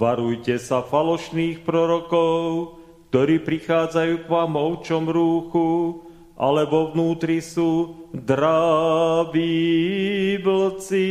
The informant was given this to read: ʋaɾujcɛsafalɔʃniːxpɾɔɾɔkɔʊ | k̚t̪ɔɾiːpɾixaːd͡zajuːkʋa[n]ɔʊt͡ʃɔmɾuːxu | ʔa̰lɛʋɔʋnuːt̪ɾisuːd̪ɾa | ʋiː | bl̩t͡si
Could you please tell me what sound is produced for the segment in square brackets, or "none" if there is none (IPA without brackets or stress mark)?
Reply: m